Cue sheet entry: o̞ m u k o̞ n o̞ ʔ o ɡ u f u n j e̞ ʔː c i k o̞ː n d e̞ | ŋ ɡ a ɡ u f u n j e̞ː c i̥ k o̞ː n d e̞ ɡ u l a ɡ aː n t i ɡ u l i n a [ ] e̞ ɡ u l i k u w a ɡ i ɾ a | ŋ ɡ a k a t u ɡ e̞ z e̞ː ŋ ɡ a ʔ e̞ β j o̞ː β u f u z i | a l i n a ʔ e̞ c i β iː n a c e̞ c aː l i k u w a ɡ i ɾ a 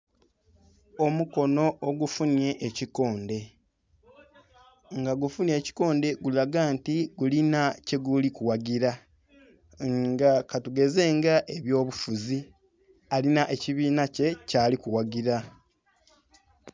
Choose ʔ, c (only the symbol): c